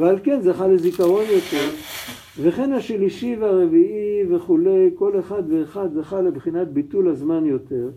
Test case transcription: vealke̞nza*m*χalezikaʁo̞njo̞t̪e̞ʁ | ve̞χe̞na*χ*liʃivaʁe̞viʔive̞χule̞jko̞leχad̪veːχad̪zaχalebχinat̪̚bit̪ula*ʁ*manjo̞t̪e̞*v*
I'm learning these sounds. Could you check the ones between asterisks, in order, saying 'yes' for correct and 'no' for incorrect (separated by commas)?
no, no, no, no